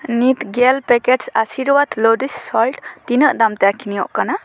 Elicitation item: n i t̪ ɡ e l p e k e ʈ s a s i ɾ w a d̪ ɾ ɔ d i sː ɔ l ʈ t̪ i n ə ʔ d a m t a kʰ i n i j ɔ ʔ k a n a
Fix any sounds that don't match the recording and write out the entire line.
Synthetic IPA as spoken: n i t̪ ɡ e l p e k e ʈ s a s i ɾ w a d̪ l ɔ d i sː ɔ l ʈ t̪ i n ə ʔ d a m t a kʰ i n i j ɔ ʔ k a n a